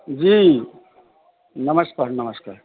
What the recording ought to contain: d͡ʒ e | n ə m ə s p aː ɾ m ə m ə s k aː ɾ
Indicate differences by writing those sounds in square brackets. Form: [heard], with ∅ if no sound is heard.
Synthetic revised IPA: d͡ʒ [i] | n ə m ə s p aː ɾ [n] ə m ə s k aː ɾ